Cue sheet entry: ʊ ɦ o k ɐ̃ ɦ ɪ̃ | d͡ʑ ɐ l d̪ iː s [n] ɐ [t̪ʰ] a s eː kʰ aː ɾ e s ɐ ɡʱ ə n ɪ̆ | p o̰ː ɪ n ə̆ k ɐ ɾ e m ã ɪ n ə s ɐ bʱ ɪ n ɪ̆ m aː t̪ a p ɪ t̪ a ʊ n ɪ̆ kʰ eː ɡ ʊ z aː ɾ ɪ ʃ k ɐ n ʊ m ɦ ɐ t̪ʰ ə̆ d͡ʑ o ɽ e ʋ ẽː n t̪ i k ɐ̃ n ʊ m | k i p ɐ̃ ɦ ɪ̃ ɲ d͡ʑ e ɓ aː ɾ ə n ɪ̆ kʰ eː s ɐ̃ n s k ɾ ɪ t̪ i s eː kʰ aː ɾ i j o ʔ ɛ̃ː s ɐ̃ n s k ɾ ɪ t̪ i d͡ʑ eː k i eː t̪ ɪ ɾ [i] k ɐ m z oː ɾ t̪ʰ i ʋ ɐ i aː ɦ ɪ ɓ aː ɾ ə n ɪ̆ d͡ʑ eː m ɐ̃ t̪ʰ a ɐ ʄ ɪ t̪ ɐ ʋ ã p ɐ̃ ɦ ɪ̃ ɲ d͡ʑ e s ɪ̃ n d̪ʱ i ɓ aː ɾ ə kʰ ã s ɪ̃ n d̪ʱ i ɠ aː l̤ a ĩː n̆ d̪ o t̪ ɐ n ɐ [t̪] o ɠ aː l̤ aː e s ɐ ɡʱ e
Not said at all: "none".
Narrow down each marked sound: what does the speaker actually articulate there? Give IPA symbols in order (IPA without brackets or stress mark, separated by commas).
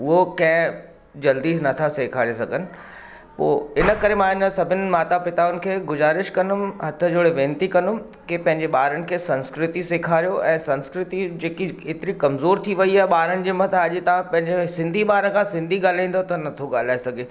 n, t̪ʰ, i, t̪ʰ